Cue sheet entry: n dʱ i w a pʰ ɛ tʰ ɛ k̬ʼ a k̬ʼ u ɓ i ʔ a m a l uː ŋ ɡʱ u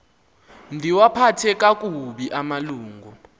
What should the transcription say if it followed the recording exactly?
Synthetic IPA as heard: n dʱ i w a pʰ a tʰ ɛ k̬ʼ a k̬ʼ u ɓ i ʔ a m a l uː ŋ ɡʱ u